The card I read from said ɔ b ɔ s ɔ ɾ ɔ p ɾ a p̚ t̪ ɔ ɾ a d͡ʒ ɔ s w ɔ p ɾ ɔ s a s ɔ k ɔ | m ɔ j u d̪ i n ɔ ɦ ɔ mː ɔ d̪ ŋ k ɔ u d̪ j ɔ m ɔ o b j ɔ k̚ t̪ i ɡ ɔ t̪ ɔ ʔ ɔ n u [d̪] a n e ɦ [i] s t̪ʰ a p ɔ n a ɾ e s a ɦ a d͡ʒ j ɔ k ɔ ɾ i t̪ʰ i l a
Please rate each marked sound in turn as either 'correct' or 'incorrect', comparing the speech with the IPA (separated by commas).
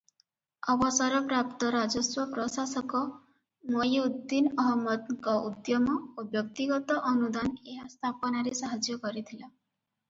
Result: correct, incorrect